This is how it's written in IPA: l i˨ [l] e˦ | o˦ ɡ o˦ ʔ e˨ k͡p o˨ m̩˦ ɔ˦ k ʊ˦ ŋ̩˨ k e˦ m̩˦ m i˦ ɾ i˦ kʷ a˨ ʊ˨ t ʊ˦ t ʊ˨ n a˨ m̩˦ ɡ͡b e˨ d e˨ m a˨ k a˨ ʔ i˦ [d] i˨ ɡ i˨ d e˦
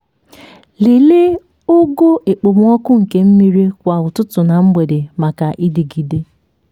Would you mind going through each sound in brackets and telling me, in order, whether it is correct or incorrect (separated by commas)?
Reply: correct, correct